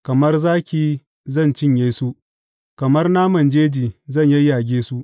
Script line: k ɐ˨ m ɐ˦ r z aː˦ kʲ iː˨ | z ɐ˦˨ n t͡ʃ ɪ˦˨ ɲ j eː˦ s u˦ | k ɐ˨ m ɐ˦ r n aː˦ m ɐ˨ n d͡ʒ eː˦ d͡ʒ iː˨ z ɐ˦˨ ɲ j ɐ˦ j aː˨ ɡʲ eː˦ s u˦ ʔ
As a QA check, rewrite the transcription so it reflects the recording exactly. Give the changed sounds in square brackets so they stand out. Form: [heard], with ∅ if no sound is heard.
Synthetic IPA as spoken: k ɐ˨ m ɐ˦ r z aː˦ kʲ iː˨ | z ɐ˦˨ n t͡ʃ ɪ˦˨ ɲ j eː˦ s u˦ | k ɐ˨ m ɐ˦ r n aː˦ m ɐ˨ n d͡ʒ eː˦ d͡ʒ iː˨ z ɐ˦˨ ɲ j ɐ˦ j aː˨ ɡʲ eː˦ s u˦ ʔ